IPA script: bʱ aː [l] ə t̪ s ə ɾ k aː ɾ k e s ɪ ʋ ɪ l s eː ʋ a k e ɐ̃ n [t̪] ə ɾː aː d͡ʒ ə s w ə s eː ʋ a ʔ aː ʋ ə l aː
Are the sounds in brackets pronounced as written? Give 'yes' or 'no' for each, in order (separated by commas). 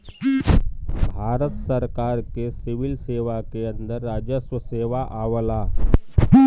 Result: no, no